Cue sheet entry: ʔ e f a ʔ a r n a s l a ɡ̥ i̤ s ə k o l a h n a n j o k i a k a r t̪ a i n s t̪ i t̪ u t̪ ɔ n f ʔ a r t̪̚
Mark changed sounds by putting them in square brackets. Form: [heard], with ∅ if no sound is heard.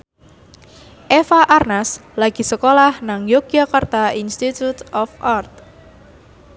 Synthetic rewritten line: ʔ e f a ʔ a r n a s l a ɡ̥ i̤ s ə k o l a h n a [ŋ] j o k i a k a r t̪ a i n s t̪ i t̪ u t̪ ɔ [∅] f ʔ a r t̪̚